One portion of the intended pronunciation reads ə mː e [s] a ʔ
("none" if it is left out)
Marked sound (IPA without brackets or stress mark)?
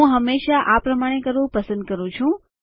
ʃ